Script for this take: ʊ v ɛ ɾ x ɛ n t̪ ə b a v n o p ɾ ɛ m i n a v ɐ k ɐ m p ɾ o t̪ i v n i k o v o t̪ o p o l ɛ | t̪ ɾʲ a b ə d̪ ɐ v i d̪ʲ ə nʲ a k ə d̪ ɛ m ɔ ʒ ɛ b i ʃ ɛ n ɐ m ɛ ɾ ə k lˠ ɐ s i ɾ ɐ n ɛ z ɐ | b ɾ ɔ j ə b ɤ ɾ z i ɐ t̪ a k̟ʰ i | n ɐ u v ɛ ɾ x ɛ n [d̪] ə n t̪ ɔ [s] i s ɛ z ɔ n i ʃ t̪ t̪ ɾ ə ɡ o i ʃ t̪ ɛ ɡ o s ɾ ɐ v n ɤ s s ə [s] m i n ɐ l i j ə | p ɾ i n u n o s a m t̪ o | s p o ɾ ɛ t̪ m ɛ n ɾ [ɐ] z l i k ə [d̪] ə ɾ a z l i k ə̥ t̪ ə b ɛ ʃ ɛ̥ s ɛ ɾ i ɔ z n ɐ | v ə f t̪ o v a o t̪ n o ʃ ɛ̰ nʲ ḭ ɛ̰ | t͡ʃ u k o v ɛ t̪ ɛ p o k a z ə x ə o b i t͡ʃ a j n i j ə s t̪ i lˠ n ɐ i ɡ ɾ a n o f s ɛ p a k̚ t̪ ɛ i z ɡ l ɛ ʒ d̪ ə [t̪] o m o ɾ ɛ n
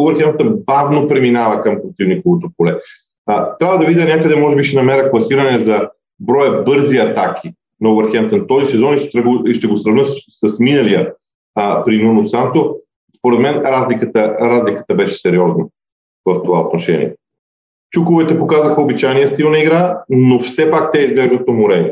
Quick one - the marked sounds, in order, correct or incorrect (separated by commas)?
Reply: incorrect, incorrect, correct, incorrect, incorrect, correct